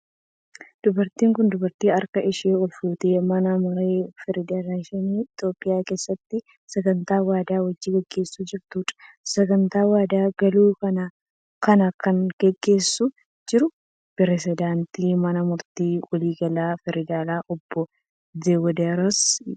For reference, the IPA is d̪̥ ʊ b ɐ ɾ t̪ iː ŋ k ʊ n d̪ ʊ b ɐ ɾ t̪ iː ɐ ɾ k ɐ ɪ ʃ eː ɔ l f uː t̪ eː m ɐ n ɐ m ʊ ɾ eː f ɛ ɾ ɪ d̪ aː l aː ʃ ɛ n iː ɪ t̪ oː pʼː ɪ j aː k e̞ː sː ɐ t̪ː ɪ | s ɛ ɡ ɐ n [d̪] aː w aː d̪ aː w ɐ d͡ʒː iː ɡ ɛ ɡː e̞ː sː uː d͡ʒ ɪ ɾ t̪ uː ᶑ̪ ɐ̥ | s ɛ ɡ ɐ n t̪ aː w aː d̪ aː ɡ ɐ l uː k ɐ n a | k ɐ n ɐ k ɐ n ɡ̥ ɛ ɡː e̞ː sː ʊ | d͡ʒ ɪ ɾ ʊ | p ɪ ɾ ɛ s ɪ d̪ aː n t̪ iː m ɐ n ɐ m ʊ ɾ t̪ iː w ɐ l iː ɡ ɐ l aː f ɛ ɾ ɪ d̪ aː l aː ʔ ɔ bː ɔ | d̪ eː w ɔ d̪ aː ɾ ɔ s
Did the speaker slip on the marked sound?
yes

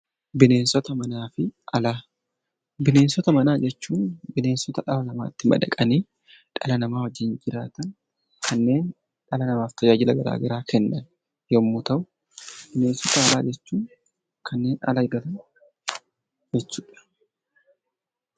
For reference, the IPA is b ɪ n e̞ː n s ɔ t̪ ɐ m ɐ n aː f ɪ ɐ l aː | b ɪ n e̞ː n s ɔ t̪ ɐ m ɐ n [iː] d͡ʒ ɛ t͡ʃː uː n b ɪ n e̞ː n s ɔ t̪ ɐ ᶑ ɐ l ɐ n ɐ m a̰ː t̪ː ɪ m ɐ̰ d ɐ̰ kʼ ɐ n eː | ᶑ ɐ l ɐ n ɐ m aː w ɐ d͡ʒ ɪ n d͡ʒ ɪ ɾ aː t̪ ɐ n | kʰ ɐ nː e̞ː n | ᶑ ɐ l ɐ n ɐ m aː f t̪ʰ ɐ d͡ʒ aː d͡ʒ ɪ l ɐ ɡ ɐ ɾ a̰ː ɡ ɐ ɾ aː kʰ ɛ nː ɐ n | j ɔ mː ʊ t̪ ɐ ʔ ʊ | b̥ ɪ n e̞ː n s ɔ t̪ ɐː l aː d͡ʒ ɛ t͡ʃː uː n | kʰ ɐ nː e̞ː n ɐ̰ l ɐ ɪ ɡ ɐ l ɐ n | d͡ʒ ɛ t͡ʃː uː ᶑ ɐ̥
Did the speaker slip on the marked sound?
yes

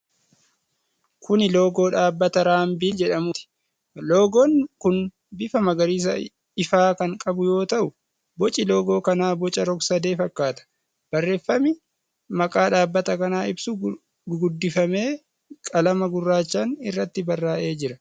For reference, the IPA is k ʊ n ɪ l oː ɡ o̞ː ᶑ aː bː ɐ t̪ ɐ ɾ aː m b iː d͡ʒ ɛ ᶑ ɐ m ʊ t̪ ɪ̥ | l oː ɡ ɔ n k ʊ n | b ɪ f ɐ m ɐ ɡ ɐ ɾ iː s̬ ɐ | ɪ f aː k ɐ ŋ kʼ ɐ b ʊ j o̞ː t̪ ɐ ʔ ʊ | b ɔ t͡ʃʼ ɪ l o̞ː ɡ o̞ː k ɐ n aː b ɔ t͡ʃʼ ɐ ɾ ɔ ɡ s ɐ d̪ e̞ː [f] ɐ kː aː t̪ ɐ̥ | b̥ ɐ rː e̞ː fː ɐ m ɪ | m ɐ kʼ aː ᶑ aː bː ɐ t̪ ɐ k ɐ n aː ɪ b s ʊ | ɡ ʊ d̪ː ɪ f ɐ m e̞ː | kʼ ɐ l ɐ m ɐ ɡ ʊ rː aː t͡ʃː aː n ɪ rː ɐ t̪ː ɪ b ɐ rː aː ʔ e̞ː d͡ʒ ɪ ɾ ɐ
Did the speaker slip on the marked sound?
no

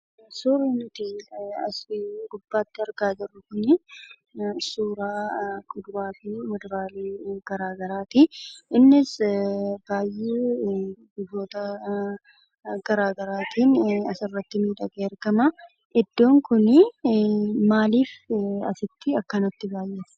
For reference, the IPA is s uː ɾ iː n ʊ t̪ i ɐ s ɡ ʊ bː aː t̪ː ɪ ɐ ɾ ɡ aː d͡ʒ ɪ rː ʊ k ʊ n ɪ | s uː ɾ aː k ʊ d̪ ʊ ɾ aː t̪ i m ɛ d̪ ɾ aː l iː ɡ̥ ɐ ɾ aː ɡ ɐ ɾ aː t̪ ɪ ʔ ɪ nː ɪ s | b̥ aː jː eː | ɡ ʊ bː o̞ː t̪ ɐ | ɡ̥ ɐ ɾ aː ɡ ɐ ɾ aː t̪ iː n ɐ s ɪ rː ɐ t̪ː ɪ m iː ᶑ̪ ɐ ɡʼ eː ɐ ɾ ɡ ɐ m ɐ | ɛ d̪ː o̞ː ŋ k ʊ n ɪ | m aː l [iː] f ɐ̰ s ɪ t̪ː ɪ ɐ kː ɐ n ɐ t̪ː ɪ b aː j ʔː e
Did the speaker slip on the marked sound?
no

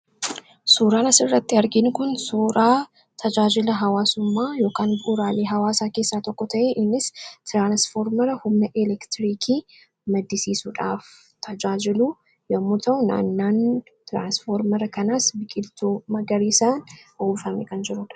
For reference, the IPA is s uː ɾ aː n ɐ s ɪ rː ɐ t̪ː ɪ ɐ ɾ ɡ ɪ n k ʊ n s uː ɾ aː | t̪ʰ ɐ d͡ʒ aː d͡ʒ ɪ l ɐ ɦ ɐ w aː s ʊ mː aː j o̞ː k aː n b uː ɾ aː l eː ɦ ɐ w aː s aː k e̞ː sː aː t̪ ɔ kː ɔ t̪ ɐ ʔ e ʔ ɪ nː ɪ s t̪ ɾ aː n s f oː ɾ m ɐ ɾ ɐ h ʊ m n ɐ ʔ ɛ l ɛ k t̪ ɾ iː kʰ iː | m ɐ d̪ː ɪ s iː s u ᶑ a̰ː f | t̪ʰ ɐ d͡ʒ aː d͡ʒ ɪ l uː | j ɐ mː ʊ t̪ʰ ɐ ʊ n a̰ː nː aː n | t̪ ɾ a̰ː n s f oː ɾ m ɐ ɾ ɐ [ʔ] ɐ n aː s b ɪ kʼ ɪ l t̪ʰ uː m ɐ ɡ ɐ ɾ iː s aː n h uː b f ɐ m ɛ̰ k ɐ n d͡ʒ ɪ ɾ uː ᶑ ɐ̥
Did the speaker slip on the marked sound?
yes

